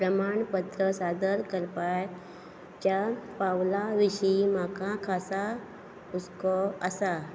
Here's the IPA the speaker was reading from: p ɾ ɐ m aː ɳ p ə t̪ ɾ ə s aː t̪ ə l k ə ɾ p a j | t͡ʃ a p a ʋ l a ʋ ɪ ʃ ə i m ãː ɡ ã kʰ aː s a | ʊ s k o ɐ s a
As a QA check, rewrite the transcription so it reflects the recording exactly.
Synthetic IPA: p ɾ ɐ m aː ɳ p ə t̪ ɾ ə s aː d̪ ə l k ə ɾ p a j | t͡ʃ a p a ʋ l a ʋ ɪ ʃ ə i m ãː k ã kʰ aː s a | ʊ s k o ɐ s a